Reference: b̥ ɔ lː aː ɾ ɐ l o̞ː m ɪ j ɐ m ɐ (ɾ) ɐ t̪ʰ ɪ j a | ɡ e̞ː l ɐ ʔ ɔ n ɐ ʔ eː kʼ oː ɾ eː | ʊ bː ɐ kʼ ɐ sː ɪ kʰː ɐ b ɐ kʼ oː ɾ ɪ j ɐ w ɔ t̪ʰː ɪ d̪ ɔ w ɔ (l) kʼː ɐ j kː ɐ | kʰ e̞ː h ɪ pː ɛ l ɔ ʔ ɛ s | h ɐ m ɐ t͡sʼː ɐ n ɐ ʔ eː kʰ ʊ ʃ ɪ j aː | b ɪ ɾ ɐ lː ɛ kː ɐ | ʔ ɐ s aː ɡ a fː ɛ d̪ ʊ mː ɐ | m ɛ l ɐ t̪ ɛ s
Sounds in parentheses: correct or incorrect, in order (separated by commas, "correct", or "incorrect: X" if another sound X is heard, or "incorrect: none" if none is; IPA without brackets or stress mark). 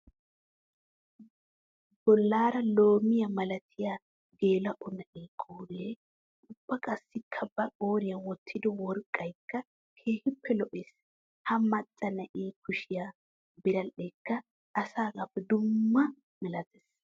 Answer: incorrect: l, incorrect: ɾ